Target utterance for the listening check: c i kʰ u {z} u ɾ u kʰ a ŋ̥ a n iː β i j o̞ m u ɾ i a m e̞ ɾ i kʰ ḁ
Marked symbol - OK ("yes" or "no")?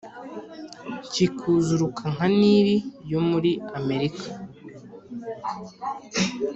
yes